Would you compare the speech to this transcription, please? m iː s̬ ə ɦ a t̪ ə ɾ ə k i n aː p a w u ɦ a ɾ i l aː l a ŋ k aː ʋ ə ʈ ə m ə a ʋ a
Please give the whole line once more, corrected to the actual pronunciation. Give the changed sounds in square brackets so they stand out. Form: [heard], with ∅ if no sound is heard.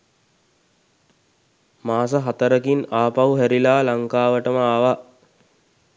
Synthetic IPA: m [aː] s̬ ə ɦ a t̪ ə ɾ ə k i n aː p a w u ɦ [æ] ɾ i l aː l a ŋ k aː ʋ ə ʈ ə m ə a ʋ a